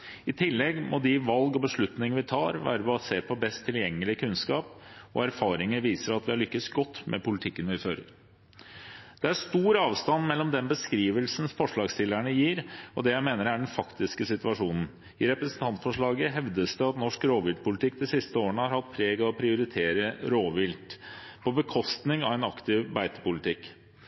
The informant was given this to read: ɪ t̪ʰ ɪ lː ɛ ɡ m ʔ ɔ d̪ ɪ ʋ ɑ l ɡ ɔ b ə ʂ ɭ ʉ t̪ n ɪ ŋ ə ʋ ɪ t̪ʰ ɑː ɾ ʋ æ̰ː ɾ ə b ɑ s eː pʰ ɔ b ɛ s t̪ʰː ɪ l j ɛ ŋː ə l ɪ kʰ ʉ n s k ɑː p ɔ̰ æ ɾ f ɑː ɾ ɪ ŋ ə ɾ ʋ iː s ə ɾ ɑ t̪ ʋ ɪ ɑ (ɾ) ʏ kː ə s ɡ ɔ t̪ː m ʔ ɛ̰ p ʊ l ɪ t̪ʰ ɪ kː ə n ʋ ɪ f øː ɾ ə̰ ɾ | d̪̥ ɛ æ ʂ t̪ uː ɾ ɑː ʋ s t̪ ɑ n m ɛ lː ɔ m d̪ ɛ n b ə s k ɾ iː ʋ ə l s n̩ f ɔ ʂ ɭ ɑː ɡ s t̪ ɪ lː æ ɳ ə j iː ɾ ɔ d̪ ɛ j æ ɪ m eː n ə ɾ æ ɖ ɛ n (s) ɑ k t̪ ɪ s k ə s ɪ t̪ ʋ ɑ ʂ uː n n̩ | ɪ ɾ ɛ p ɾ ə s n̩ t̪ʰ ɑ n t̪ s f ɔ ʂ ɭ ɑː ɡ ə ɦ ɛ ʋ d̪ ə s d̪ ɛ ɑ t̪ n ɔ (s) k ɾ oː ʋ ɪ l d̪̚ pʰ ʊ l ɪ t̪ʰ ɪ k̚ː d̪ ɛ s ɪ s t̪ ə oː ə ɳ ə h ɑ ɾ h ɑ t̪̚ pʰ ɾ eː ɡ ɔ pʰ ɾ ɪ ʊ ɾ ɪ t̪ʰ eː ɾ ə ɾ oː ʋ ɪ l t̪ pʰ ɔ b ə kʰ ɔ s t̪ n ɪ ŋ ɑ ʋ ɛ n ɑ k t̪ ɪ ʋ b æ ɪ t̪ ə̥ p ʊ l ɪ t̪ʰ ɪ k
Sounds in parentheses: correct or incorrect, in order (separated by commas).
incorrect, incorrect, incorrect